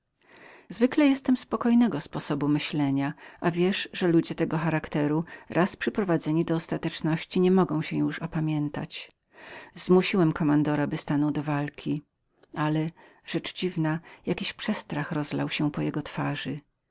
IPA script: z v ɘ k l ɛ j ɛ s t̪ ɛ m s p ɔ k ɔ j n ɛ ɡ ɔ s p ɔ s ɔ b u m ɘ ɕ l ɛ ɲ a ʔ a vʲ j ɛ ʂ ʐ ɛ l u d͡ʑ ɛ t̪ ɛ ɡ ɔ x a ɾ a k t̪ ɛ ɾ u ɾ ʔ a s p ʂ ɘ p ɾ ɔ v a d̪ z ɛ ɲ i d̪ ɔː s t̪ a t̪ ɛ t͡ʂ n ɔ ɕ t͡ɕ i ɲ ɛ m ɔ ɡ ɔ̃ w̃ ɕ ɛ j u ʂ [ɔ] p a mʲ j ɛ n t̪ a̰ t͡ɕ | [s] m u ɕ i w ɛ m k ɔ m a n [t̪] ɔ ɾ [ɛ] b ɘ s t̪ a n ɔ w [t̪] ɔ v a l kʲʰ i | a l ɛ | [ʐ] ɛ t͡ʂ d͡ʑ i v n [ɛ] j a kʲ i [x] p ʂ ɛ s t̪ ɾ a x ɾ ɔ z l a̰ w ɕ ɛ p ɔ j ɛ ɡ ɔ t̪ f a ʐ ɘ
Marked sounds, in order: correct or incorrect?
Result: correct, incorrect, incorrect, incorrect, incorrect, correct, incorrect, incorrect

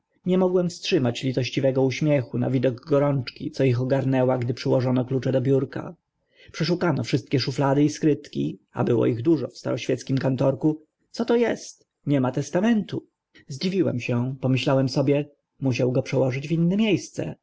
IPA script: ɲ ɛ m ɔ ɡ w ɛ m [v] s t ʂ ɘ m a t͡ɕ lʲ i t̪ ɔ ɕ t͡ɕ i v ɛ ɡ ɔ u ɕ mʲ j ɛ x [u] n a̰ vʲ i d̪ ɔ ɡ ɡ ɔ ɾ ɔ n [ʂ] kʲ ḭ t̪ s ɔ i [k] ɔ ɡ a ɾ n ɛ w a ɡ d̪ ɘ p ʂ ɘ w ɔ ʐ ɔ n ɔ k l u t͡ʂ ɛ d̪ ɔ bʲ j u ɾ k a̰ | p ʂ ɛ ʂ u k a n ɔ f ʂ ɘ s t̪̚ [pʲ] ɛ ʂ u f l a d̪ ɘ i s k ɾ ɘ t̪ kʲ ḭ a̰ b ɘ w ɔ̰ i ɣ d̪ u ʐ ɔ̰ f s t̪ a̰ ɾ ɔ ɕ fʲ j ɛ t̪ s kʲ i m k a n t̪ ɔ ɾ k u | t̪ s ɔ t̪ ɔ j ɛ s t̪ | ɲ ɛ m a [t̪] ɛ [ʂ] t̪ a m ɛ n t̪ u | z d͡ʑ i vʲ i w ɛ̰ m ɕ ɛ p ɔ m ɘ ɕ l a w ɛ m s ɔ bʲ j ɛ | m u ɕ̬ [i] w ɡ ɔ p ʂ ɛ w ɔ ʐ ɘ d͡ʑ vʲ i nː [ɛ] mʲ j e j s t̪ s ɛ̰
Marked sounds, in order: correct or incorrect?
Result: incorrect, correct, incorrect, incorrect, incorrect, correct, incorrect, incorrect, correct

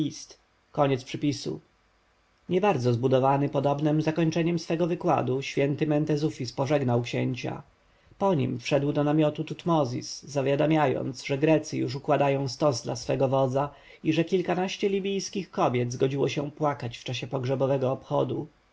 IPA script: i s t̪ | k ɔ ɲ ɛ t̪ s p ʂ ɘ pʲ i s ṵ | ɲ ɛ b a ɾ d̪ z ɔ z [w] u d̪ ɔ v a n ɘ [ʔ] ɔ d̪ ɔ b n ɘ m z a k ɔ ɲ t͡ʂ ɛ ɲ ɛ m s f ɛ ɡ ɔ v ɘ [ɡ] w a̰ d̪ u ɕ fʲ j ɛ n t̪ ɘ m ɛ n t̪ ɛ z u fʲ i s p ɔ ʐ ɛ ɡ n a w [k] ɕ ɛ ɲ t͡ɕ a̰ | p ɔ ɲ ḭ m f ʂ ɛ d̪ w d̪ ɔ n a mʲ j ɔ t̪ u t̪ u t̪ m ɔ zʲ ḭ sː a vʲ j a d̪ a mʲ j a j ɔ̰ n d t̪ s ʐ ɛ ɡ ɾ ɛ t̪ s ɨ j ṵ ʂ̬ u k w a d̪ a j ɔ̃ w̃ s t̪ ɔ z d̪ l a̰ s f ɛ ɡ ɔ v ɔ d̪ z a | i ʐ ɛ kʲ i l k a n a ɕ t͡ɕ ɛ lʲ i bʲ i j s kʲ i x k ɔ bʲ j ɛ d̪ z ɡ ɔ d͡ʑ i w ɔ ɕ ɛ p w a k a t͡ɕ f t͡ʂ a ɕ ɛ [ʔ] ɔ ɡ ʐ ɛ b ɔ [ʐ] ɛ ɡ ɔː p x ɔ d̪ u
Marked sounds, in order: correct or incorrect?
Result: incorrect, incorrect, incorrect, correct, incorrect, incorrect

